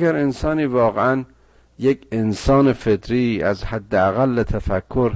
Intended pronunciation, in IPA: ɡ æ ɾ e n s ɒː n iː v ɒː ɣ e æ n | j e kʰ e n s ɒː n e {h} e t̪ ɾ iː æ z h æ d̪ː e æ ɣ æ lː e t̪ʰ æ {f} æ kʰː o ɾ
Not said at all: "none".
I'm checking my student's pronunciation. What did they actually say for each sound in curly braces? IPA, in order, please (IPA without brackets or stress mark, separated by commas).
f, f